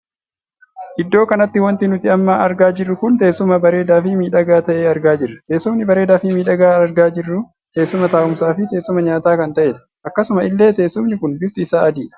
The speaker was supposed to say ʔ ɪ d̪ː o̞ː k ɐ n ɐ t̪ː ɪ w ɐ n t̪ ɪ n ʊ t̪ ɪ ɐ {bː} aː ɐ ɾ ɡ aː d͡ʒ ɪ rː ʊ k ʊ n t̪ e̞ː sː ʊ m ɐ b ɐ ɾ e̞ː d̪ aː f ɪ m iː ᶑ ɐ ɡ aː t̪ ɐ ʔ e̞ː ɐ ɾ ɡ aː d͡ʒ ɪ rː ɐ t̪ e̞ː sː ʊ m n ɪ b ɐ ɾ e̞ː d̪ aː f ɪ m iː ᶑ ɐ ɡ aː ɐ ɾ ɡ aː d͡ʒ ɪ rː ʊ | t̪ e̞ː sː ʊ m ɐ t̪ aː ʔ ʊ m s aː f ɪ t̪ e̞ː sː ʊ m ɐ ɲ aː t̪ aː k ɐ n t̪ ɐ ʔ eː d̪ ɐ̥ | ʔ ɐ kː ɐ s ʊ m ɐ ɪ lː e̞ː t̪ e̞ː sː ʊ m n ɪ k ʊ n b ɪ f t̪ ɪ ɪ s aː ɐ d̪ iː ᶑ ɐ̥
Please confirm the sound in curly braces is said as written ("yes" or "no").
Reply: no